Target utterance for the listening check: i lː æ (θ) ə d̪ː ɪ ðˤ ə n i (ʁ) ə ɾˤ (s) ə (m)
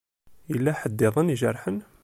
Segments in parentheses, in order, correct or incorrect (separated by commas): incorrect, incorrect, incorrect, incorrect